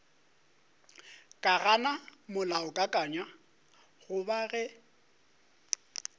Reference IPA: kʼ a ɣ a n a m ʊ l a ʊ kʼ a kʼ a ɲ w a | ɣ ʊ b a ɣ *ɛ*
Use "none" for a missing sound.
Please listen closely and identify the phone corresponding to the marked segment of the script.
ɛ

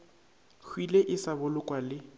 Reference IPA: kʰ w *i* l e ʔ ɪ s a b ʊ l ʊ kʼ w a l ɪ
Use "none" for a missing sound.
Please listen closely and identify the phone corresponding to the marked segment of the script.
i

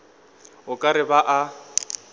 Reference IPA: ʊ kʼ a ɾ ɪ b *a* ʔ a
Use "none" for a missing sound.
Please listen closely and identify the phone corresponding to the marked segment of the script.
a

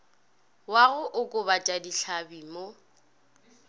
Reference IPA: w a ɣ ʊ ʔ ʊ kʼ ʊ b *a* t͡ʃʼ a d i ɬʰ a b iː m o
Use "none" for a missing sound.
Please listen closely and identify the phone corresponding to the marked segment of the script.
a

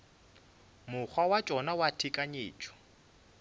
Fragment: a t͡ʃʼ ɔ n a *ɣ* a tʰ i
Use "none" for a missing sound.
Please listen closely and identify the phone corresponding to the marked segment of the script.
w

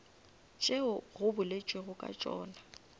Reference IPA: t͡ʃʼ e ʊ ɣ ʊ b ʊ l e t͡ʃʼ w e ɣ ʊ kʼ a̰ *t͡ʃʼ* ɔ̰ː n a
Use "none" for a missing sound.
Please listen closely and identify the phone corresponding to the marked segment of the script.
t͡ʃʼ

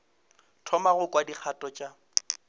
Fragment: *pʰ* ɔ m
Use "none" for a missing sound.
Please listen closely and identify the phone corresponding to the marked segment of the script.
tʰ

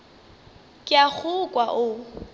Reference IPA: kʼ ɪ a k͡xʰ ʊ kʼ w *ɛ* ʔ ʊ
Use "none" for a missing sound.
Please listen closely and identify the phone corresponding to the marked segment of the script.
a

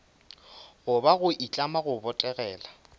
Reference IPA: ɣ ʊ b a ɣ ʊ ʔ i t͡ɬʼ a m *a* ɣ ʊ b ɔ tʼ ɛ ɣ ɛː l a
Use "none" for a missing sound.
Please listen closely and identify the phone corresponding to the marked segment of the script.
a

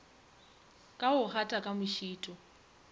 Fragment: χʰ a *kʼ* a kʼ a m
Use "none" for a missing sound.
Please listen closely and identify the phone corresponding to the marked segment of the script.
tʼ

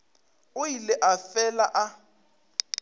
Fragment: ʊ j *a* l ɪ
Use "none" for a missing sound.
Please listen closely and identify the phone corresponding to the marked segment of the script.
i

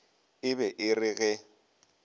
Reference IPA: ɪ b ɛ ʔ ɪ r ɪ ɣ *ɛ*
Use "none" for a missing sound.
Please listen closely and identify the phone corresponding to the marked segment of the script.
ɛ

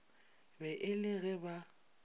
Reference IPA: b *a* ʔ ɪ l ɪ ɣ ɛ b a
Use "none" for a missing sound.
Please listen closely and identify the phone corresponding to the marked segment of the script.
ɛ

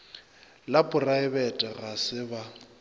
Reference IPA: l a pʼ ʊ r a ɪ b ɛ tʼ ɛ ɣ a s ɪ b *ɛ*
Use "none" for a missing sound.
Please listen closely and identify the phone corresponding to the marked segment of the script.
a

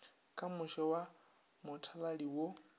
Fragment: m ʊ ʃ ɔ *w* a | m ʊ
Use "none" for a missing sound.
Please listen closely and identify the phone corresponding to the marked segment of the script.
w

